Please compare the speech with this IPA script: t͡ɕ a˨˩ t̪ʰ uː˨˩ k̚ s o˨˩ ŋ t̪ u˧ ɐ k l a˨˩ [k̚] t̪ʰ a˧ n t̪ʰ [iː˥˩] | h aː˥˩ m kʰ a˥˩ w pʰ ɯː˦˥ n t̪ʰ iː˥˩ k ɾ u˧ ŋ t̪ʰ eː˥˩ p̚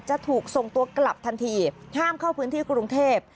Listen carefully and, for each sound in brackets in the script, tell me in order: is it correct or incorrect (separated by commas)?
incorrect, incorrect